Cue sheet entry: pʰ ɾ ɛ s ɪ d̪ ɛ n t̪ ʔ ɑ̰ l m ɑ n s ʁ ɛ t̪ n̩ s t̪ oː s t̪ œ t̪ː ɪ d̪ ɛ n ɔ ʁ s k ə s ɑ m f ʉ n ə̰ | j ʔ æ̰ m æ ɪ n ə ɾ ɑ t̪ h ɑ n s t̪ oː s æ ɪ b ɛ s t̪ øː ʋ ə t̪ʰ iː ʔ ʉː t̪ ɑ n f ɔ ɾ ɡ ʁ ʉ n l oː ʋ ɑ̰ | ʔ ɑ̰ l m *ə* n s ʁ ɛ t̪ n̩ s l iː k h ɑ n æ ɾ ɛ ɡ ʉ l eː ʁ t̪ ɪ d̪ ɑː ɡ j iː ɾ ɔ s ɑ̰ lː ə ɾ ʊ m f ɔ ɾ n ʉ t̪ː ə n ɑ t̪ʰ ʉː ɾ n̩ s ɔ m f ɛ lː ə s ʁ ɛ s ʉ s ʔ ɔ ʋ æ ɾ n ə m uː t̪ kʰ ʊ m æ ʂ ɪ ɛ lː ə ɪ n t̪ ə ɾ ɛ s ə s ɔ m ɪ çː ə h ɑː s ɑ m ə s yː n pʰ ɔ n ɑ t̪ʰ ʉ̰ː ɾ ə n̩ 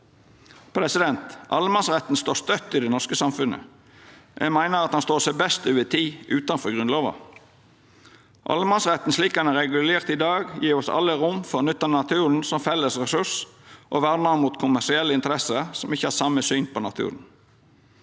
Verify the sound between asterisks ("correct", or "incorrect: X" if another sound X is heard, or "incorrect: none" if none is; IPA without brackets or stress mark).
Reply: incorrect: ɑ